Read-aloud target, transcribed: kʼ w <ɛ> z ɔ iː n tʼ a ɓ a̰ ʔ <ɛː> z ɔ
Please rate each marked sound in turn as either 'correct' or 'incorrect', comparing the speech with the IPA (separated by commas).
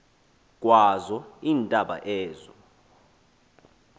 incorrect, correct